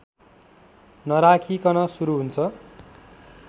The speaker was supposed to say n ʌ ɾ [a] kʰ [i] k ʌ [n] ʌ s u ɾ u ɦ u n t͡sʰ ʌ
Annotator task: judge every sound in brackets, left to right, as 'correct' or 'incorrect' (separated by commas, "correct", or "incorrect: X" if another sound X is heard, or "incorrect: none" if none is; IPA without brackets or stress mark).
correct, correct, correct